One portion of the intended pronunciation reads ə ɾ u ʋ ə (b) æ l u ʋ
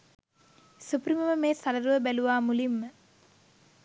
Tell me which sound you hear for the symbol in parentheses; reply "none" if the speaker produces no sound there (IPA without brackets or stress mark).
b